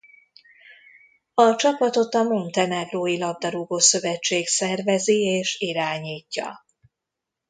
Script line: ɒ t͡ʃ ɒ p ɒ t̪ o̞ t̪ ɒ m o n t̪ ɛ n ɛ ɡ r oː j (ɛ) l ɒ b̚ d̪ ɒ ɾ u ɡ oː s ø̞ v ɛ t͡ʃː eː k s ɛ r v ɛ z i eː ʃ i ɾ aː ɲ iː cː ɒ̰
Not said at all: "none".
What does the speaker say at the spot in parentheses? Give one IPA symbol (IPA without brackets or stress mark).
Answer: i